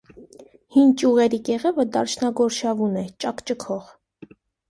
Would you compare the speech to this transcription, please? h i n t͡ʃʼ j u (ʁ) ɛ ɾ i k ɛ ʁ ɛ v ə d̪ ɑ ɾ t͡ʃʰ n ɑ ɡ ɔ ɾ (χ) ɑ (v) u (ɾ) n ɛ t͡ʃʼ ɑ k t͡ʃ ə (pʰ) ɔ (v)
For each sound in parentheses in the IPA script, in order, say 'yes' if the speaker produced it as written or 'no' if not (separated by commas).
yes, no, yes, no, no, no